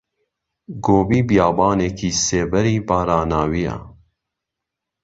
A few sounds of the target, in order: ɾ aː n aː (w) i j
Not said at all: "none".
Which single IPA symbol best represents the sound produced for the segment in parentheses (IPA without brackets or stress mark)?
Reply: w